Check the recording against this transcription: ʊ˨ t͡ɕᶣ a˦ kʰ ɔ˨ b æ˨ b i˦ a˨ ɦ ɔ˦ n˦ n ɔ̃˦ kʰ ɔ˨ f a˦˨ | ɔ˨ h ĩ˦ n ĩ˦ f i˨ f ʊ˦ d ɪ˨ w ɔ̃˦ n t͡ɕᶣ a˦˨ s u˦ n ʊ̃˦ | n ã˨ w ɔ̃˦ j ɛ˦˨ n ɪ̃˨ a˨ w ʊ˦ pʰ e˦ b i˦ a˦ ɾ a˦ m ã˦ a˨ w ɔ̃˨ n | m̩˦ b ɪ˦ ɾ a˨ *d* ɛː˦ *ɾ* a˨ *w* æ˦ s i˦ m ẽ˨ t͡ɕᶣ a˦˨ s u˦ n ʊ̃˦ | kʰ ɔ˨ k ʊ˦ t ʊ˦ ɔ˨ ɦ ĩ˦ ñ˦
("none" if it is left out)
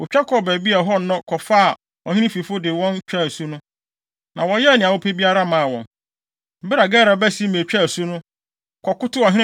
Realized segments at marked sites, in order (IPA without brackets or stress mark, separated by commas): ɡ, ɾ, b